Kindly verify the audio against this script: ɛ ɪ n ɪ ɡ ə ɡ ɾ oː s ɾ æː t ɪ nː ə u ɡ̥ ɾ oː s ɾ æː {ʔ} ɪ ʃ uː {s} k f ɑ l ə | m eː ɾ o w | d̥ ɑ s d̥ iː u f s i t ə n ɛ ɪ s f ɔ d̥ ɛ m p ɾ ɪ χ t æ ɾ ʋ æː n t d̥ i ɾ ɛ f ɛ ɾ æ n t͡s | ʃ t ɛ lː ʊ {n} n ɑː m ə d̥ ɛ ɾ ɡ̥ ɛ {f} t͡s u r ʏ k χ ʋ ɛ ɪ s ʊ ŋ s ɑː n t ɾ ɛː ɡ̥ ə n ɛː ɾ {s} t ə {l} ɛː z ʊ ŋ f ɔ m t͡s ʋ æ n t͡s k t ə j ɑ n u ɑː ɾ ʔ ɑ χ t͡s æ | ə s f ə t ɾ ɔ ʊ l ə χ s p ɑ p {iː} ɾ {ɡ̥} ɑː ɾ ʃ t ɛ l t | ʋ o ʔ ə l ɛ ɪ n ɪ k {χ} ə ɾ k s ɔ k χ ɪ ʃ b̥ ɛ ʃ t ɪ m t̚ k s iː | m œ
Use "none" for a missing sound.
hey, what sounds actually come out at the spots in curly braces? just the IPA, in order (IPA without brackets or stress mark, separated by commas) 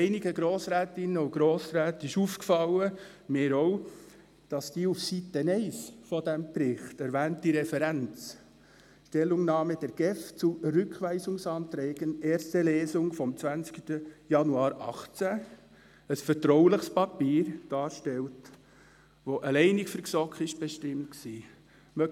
t, f, ŋ, f, s, l, iː, d̥, f